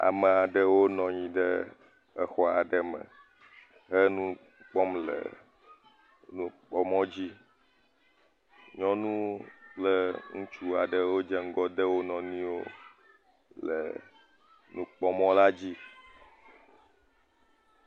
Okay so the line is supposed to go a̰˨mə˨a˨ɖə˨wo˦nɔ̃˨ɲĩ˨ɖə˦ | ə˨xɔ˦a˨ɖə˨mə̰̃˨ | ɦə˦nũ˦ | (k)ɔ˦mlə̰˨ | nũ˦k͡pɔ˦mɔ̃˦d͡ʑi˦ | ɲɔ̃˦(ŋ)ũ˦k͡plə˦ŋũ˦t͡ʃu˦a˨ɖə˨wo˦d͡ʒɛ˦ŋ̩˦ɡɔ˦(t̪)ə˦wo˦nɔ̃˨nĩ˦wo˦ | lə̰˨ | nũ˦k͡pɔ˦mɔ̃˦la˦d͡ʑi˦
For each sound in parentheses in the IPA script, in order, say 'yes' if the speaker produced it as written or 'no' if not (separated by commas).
no, no, no